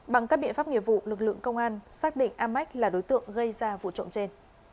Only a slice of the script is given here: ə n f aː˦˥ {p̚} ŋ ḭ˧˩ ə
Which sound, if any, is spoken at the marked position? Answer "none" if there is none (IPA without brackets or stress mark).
p̚